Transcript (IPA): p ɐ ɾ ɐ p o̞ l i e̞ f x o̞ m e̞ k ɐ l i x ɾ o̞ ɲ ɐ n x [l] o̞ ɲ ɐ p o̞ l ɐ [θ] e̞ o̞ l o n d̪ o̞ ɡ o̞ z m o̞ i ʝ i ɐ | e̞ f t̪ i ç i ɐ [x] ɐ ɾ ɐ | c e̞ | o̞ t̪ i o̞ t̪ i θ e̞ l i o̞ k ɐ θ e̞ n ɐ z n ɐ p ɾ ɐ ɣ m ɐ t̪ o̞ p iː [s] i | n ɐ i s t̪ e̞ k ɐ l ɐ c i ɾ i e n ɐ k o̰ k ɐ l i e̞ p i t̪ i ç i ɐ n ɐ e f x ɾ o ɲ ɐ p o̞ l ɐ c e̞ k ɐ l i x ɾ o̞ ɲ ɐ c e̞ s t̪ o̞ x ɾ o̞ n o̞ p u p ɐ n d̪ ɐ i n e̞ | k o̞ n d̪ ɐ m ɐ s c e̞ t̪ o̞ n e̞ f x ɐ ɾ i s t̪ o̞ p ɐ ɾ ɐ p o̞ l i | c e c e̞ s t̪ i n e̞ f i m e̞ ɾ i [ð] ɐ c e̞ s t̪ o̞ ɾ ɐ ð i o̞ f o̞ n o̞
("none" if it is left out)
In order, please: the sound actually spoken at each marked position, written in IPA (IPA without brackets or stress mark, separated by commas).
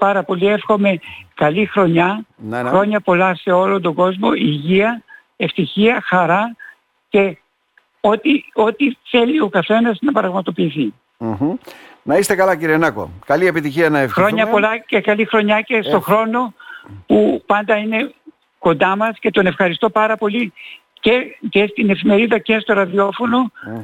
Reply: ɾ, s, x, θ, ð